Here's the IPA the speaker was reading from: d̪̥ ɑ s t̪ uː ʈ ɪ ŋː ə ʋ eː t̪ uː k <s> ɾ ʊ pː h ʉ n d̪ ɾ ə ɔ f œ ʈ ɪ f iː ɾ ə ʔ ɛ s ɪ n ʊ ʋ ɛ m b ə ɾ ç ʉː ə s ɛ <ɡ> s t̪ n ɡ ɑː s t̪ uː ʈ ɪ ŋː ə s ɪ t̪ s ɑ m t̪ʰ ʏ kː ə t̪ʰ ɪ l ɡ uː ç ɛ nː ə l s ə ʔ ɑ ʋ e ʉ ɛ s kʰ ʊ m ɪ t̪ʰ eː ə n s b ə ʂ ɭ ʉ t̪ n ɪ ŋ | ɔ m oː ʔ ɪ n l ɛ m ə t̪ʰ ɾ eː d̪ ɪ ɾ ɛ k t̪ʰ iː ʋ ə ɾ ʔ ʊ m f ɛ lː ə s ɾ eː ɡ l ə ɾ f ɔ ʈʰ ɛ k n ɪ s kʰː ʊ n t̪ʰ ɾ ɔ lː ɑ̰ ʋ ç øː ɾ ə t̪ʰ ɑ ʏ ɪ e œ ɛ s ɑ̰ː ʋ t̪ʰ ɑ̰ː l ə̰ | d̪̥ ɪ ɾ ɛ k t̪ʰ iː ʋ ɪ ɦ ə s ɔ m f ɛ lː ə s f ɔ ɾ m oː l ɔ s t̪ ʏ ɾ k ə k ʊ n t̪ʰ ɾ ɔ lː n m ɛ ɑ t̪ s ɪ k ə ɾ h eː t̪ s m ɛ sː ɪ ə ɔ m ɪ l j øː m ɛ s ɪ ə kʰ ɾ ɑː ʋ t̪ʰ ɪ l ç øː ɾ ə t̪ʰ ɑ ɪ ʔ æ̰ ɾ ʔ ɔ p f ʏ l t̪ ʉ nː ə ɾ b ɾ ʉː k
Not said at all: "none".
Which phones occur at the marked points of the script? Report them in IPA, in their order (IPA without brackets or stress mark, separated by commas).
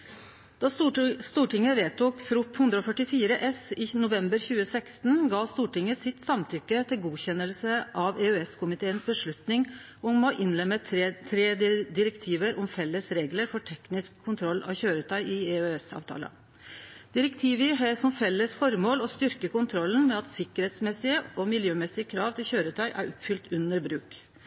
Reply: f, k